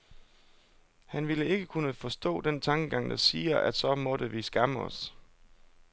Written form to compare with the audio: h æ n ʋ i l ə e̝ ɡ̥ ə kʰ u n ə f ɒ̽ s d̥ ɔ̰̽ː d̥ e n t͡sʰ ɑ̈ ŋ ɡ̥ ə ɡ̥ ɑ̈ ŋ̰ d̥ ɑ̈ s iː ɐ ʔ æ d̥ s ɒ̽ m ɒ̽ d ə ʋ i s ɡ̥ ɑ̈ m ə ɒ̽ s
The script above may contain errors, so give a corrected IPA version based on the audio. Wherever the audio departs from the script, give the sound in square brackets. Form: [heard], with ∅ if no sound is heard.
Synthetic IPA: h æ n ʋ i l ə e̝ ɡ̥ ə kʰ u n ə f ɒ̽ s d̥ ɔ̰̽ː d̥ e n t͡sʰ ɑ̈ ŋ ɡ̥ ə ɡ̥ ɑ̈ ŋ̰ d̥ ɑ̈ s iː ɐ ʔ æ d̥ s ɒ̽ m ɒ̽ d ə ʋ i s ɡ̥ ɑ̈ m ə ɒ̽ s